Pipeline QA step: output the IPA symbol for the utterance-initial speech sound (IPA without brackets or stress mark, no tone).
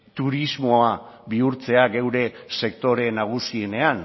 t̪